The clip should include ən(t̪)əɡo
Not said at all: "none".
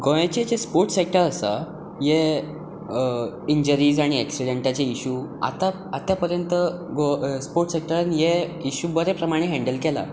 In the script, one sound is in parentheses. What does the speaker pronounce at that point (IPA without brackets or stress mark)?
t̪